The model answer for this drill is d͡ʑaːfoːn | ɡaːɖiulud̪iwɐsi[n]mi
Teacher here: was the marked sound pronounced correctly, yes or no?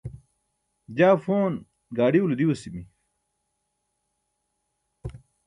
no